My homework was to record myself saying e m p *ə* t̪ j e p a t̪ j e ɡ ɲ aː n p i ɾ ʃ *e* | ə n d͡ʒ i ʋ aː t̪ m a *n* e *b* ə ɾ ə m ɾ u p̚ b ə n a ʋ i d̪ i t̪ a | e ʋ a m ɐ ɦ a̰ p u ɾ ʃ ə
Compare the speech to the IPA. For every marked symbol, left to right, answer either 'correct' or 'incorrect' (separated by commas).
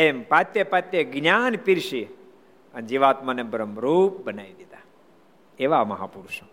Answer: incorrect, incorrect, correct, correct